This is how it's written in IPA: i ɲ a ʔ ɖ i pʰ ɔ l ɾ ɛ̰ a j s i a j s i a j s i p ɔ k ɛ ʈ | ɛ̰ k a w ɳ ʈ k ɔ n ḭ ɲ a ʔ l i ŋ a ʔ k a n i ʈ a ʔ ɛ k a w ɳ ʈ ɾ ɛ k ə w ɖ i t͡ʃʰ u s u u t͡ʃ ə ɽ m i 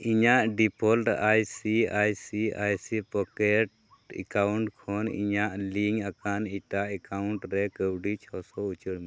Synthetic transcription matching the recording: i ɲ a ʔ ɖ i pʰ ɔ l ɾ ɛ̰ a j s i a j s i a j s i p ɔ k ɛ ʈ | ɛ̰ k a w ɳ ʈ kʰ ɔ n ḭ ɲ a ʔ l i ŋ a k a n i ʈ a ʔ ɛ k a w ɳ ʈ ɾ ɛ k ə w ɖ i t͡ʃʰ ɔ s ɔ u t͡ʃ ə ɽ m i